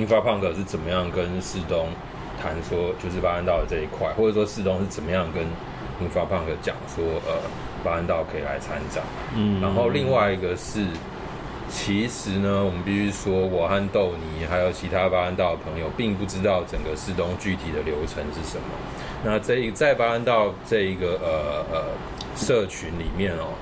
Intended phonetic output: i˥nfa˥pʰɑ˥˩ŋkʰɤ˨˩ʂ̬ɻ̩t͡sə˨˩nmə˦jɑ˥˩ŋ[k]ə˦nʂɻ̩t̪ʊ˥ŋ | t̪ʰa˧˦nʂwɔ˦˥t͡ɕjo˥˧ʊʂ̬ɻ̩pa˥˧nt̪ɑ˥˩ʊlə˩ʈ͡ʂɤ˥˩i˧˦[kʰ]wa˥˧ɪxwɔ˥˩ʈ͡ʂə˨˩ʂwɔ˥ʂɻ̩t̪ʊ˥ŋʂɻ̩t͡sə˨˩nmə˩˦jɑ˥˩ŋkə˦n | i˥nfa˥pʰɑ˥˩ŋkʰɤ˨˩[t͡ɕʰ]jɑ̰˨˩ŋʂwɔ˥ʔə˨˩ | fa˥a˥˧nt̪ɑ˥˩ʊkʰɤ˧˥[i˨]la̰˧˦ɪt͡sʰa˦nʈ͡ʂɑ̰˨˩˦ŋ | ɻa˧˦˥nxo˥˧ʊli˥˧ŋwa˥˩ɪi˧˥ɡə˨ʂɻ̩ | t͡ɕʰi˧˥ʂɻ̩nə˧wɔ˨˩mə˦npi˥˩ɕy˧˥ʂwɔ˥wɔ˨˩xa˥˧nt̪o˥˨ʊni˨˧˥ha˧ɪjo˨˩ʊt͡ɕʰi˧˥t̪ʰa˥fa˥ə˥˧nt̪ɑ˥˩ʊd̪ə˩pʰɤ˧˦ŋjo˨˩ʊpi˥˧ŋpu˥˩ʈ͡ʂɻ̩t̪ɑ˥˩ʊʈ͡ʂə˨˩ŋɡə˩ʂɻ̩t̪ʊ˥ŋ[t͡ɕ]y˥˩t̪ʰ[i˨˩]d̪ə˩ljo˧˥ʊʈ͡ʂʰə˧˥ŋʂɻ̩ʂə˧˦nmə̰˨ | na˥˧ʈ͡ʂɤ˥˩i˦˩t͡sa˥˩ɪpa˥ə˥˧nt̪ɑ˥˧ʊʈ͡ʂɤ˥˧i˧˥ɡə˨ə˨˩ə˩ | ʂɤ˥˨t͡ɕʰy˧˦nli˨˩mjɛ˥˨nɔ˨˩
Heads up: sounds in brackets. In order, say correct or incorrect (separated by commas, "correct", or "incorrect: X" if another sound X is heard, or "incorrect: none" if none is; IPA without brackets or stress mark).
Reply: correct, correct, incorrect: t͡ɕ, correct, correct, correct